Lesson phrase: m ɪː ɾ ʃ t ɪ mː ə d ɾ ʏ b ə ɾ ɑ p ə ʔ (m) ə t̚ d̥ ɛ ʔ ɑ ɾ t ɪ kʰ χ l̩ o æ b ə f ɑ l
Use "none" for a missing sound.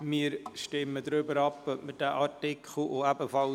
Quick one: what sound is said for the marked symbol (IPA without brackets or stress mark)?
m